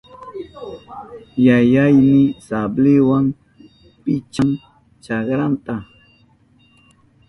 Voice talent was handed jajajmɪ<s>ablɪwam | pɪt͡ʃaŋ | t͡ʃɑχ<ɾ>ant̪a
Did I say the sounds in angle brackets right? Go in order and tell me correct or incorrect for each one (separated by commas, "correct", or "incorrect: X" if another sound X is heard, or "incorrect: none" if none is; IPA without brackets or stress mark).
correct, correct